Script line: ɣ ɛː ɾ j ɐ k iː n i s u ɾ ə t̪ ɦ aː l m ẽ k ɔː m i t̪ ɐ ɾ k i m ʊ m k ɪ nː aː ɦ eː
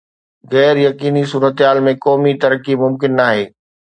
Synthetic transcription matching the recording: ɣ ɛː ɾ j ɐ k iː n i s uː ɾ ə t̪ ɦ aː l m ẽ k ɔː m i t̪ ɐ ɾ k i m ʊ m k ɪ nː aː ɦ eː